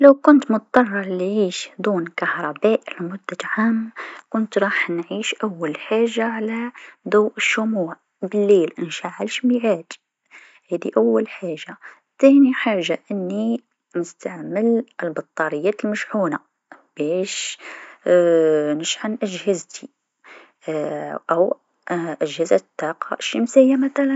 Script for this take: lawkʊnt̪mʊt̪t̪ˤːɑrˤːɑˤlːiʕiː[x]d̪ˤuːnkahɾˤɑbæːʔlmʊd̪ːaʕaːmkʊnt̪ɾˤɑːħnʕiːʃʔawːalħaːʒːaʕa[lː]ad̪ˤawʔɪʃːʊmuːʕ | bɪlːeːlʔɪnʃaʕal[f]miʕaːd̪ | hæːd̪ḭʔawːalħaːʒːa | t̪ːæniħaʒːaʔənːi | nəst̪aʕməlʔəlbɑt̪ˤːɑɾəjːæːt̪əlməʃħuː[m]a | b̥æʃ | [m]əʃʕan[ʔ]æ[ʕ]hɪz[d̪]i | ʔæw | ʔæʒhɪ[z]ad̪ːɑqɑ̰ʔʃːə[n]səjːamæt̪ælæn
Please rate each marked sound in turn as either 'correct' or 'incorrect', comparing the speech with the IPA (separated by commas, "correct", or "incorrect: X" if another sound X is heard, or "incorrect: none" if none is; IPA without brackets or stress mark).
incorrect: ʃ, incorrect: l, incorrect: ʃ, incorrect: n, incorrect: n, correct, incorrect: ʒ, incorrect: t̪, correct, incorrect: m